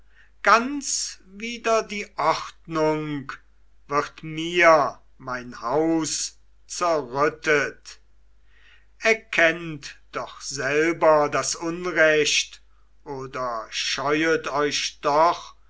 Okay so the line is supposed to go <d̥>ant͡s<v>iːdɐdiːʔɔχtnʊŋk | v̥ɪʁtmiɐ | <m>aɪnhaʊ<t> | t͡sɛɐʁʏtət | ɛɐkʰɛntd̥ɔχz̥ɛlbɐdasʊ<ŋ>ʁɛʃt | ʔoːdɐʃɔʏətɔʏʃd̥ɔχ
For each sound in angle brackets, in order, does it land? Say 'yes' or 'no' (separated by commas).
no, yes, yes, no, no